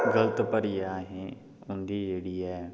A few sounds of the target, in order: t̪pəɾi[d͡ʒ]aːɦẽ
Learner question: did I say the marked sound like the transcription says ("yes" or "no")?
no